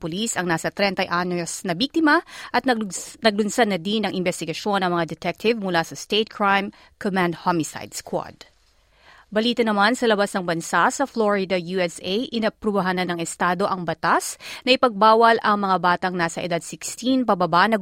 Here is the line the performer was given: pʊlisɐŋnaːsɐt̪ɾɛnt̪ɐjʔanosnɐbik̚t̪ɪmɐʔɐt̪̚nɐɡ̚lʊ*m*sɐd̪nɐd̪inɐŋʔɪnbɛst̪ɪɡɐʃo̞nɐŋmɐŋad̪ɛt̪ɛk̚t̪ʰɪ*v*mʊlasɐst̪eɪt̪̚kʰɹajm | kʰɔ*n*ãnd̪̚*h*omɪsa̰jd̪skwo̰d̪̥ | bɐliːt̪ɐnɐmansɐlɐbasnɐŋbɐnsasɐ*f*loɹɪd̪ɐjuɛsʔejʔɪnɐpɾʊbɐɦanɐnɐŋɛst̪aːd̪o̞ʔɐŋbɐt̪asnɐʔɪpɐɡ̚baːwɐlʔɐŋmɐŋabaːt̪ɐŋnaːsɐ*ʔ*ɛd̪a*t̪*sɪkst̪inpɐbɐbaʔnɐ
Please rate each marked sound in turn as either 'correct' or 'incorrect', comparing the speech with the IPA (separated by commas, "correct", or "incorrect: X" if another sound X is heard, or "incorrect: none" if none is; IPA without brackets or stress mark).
incorrect: n, correct, incorrect: m, correct, correct, correct, incorrect: d̪